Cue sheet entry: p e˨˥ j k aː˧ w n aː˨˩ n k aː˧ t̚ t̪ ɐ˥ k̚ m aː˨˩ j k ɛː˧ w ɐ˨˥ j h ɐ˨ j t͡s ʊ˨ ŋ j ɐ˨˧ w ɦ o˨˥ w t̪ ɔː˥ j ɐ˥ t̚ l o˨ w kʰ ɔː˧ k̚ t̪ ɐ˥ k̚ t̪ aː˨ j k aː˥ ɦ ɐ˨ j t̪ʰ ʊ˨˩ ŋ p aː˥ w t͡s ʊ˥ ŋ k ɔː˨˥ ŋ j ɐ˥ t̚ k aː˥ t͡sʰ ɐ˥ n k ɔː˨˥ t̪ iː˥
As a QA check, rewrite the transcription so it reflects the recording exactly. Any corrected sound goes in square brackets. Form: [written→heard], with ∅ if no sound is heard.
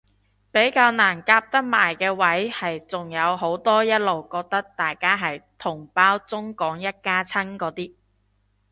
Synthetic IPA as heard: p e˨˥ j k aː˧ w n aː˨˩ n k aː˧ [t̚→p̚] t̪ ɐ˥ k̚ m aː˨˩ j k ɛː˧ w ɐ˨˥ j h ɐ˨ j t͡s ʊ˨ ŋ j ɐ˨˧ w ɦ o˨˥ w t̪ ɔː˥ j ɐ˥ t̚ l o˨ w [kʰ→k] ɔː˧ k̚ t̪ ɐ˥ k̚ t̪ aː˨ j k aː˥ ɦ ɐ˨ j t̪ʰ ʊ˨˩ ŋ p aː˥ w t͡s ʊ˥ ŋ k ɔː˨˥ ŋ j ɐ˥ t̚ k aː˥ t͡sʰ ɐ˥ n k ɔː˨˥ t̪ iː˥